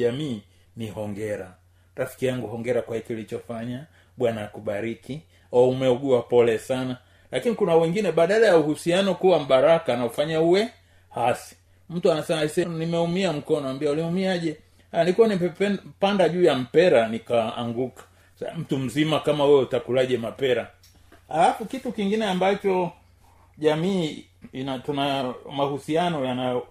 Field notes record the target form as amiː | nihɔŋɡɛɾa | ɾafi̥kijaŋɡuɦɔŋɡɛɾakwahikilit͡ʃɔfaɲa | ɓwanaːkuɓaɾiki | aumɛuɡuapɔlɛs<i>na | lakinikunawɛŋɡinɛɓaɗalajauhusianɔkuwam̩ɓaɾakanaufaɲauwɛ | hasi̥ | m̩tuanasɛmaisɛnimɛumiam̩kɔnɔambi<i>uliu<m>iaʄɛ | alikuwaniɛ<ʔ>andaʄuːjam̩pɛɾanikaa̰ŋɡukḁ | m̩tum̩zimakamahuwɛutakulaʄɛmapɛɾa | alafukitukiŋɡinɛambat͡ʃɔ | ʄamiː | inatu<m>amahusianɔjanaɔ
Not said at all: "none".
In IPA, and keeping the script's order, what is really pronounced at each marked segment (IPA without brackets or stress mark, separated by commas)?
a, a, m, p, n